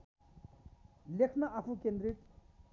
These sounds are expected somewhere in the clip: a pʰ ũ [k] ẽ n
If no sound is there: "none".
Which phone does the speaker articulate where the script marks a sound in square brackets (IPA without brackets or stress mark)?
k